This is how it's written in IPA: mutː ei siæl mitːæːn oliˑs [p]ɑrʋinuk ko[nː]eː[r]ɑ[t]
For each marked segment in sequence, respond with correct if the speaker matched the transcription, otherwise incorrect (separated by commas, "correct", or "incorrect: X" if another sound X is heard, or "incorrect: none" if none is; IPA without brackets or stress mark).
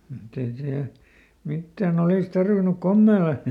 incorrect: t, incorrect: mː, incorrect: l, incorrect: none